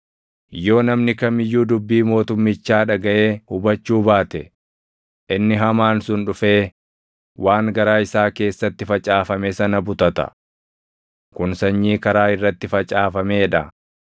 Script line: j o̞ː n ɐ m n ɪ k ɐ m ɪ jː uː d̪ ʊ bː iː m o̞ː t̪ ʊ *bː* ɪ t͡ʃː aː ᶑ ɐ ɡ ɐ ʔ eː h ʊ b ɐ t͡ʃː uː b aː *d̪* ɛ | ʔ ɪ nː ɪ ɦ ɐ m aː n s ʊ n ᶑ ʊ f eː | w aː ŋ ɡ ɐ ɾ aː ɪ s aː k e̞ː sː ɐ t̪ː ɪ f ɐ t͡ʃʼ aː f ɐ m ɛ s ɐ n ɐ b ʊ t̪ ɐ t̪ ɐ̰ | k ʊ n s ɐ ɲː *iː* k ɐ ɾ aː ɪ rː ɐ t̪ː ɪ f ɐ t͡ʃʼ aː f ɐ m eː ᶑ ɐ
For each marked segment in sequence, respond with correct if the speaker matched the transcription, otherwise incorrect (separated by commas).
incorrect, incorrect, correct